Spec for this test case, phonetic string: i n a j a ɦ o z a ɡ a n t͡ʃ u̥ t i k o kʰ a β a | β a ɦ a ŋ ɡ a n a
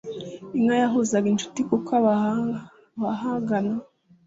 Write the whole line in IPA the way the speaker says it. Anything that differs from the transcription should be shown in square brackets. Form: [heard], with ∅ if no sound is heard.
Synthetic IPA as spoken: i [ŋ] a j a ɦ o z a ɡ [i] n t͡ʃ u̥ t i k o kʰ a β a | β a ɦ a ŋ ɡ a n a